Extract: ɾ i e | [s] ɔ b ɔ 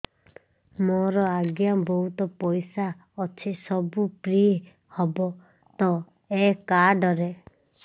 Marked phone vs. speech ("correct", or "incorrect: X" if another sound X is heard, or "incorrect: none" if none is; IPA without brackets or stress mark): incorrect: h